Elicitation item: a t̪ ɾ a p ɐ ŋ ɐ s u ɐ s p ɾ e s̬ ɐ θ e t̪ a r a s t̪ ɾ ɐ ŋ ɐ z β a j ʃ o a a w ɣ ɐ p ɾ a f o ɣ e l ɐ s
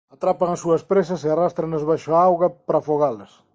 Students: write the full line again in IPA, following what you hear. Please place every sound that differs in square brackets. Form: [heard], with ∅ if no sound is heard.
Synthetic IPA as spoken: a t̪ ɾ a p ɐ ŋ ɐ s u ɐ s p ɾ e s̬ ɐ [s] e [∅] a r a s t̪ ɾ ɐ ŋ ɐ z β a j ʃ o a a w ɣ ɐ p ɾ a f o ɣ [a] l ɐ s